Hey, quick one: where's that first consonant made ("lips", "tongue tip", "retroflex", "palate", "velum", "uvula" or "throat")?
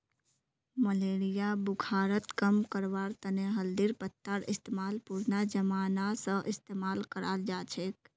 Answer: lips